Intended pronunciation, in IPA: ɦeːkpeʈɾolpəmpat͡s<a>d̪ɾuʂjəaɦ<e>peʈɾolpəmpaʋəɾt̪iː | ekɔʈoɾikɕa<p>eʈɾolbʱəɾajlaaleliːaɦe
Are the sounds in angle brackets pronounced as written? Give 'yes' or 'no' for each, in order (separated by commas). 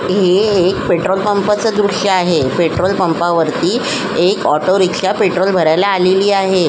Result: no, yes, yes